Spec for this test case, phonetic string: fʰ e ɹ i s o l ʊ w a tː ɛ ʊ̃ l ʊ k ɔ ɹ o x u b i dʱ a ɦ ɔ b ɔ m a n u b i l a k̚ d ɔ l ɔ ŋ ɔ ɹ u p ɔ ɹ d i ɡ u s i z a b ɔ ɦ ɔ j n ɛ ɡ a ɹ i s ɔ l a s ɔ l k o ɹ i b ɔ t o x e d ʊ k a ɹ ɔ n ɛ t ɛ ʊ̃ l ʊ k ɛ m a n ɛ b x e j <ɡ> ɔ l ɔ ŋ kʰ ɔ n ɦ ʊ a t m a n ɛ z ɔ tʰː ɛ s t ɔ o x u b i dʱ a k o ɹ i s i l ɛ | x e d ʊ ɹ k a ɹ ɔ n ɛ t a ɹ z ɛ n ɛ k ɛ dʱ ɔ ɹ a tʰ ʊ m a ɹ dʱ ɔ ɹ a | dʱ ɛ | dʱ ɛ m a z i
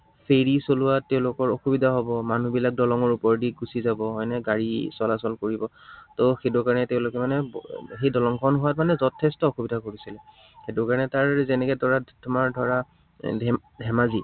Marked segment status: incorrect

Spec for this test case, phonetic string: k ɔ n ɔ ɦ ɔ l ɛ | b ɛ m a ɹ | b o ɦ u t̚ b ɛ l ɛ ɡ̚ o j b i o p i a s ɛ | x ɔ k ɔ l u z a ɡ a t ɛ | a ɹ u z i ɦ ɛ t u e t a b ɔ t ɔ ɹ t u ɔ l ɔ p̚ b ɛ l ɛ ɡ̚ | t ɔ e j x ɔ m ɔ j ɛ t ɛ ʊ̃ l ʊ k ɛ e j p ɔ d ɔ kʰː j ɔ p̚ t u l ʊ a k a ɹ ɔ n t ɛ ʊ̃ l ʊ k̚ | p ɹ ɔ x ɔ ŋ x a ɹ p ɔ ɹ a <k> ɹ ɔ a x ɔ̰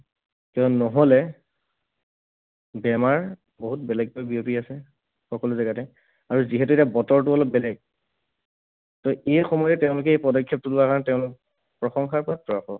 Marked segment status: incorrect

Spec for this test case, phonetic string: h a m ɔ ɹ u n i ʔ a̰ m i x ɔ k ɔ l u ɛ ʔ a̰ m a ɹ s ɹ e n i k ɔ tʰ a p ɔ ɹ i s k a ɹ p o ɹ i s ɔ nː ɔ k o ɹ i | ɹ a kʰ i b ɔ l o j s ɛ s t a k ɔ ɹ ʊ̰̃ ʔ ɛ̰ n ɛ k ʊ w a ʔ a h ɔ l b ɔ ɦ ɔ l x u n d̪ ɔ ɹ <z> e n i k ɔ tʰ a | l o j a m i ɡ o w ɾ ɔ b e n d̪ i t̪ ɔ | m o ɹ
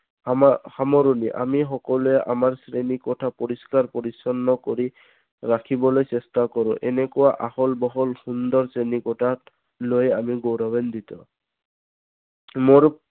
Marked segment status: incorrect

